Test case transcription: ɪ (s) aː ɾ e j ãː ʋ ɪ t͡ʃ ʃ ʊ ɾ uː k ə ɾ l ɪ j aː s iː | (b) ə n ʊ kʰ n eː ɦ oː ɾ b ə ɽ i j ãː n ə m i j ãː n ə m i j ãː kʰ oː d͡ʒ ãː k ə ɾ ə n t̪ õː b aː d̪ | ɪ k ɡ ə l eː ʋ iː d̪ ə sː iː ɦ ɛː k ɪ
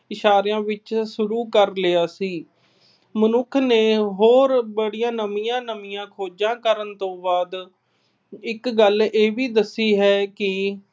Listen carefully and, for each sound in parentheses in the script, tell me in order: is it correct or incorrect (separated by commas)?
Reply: incorrect, incorrect